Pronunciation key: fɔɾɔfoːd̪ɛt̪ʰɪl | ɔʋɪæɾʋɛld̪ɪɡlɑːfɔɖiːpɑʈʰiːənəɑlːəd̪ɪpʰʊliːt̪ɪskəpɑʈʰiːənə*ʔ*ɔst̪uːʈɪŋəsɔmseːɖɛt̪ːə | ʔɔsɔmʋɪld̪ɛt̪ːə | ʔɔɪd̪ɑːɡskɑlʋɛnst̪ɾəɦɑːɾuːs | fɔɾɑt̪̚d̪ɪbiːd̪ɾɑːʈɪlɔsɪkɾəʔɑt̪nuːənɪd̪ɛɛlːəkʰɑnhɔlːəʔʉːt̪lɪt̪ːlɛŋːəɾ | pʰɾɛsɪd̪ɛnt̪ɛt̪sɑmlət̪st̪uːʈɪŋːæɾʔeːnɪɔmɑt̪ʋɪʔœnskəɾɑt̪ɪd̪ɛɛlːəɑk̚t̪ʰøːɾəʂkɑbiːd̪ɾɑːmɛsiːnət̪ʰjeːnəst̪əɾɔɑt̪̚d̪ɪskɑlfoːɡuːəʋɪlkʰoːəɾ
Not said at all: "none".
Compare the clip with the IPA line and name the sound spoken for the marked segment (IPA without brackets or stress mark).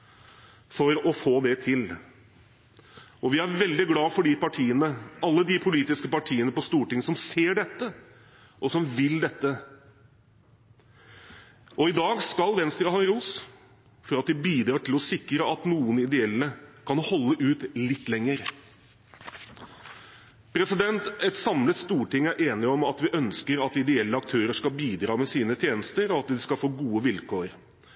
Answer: p